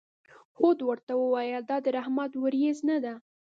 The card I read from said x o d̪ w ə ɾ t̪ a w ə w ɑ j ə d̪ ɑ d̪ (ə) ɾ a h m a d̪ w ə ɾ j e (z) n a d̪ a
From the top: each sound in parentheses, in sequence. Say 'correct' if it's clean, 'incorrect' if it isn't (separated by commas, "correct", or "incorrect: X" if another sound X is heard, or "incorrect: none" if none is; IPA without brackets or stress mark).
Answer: correct, correct